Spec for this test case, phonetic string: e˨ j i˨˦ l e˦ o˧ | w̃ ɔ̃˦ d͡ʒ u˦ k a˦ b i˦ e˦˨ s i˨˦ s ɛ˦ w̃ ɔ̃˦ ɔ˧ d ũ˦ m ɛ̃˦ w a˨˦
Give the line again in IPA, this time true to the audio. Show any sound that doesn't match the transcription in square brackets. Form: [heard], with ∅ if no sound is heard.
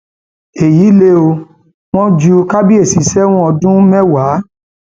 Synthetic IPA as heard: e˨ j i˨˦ l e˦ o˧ | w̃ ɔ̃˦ d͡ʒ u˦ k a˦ b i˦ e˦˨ s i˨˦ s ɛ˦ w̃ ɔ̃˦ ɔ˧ d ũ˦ m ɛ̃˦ w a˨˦